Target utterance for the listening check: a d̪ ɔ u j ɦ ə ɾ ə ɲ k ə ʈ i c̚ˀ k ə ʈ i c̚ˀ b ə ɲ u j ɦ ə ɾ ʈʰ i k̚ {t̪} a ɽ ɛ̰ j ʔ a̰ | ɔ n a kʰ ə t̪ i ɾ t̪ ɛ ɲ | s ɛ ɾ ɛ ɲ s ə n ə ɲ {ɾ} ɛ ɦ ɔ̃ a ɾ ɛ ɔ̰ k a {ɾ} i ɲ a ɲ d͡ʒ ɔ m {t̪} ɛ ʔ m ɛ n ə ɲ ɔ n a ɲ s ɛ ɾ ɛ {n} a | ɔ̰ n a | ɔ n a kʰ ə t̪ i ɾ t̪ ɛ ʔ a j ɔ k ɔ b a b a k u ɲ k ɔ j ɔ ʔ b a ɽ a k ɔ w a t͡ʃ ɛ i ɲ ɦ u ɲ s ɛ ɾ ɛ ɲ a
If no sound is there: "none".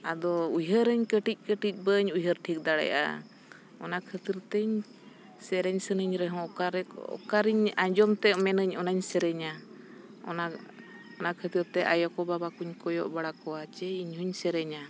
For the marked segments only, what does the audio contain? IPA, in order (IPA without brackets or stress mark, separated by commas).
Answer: d̪, ɾ, ɾ, t̪, ɲ